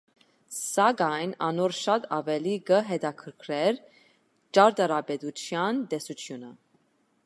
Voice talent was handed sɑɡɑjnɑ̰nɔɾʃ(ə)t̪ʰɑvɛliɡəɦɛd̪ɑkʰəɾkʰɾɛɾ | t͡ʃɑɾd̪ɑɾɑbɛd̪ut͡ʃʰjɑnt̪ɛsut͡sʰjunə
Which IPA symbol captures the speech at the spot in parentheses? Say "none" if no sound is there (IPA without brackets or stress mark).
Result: ɑ